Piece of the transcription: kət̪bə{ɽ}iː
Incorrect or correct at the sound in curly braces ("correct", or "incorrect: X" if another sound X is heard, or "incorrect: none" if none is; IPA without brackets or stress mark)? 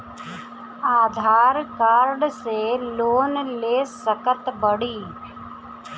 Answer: correct